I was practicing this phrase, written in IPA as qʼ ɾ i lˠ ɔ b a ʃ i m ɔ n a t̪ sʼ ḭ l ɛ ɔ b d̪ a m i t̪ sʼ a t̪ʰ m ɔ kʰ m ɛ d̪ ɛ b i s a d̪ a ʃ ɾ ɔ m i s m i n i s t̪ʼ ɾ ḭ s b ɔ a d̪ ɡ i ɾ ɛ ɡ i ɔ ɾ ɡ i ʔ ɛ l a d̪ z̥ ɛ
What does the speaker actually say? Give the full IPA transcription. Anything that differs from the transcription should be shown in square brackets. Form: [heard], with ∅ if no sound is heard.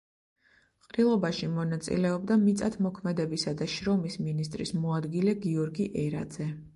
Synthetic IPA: qʼ ɾ i lˠ ɔ b a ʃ i m ɔ n a t̪ sʼ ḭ l ɛ ɔ b d̪ a m i t̪ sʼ a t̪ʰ m ɔ kʰ m ɛ d̪ ɛ b i s a d̪ a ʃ ɾ ɔ m i s m i n i s t̪ʼ ɾ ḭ s [m] ɔ a d̪ ɡ i [l] ɛ ɡ i ɔ ɾ ɡ i ʔ ɛ [ɾ] a d̪ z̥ ɛ